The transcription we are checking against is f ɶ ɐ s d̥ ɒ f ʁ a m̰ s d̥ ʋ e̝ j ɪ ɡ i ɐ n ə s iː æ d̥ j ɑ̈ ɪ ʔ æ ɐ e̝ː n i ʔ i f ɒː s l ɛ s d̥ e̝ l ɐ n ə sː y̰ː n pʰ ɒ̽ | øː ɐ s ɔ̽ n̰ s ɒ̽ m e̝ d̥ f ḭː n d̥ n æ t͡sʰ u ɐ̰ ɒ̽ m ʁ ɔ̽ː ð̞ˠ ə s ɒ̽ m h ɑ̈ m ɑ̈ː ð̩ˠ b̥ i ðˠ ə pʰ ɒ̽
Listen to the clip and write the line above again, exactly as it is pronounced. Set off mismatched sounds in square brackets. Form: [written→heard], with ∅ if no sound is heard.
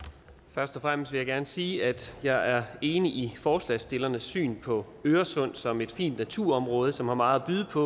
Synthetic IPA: f ɶ ɐ s d̥ ɒ f ʁ a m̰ s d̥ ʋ e̝ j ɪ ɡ [i→æ] ɐ n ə s iː æ d̥ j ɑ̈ ɪ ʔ æ ɐ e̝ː n i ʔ i f ɒː s l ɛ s d̥ e̝ l ɐ n ə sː y̰ː n pʰ ɒ̽ | øː ɐ s ɔ̽ n̰ s ɒ̽ m e̝ d̥ f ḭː n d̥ n æ t͡sʰ u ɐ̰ ɒ̽ m ʁ ɔ̽ː ð̞ˠ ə s ɒ̽ m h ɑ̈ m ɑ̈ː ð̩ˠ b̥ [i→y] ðˠ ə pʰ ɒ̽